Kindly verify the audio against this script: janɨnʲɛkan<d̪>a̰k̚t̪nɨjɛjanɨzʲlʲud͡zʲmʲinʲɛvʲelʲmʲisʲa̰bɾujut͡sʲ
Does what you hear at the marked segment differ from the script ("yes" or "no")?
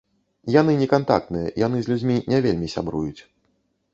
yes